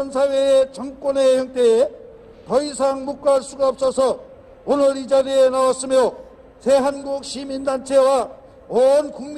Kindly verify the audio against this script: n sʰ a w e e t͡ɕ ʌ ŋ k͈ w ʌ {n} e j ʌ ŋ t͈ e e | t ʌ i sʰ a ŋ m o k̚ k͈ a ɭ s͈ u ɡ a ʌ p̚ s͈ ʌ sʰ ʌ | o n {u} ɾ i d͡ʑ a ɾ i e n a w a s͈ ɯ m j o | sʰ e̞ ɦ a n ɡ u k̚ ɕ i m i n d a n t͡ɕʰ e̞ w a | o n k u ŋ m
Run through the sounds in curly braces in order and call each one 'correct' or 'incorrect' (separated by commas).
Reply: correct, incorrect